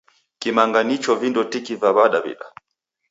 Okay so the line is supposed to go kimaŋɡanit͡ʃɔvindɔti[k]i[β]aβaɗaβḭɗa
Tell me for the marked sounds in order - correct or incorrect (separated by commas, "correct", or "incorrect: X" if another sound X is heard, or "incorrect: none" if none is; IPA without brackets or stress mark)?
correct, incorrect: v